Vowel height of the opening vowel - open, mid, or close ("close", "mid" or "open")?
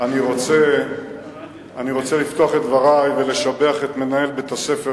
open